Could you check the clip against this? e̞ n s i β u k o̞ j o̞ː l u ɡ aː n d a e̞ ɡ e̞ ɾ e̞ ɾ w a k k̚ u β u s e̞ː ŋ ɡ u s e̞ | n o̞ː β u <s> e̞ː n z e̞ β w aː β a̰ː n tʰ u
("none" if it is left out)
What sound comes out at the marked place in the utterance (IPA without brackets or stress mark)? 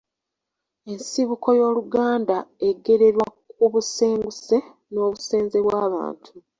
s